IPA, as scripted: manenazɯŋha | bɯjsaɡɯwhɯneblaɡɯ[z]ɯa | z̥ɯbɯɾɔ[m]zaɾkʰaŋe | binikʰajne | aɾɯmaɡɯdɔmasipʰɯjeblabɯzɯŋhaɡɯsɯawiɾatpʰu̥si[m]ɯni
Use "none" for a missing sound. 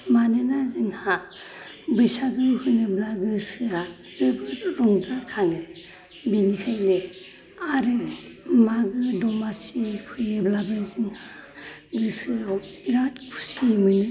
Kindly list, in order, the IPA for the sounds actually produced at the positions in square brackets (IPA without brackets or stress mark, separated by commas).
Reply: s, ŋ, m